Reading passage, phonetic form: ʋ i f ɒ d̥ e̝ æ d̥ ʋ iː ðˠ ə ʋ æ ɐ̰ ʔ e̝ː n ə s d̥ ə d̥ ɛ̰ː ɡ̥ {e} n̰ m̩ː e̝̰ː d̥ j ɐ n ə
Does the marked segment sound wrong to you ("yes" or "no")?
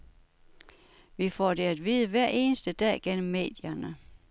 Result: no